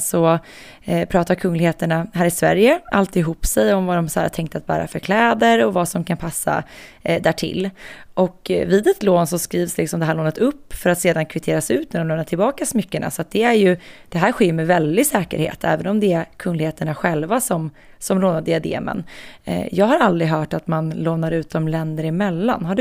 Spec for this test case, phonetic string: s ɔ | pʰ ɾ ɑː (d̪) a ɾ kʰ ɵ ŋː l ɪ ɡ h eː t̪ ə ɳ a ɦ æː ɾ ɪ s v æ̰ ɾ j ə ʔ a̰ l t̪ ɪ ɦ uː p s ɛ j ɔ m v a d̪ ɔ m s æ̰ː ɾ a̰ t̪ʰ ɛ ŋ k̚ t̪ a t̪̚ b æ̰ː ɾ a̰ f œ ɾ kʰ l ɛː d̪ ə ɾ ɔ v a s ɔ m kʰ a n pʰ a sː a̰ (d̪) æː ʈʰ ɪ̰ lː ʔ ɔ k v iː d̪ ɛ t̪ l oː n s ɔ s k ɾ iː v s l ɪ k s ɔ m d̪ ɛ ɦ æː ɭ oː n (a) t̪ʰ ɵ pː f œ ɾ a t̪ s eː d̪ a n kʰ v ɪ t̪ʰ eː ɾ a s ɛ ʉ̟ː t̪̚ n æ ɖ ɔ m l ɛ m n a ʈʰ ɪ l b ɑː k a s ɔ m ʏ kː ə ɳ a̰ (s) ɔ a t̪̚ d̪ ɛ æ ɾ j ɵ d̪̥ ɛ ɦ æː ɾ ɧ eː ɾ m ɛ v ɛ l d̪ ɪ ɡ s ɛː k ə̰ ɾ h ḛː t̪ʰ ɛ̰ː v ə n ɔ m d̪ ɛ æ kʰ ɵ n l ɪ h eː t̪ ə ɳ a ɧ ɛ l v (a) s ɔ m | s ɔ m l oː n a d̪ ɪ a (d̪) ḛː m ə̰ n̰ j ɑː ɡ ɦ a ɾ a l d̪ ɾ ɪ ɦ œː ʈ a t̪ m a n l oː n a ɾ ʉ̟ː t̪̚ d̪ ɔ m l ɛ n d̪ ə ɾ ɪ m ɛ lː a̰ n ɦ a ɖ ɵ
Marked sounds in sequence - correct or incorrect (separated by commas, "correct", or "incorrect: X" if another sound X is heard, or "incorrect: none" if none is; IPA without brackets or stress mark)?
incorrect: t̪, correct, incorrect: ə, correct, correct, correct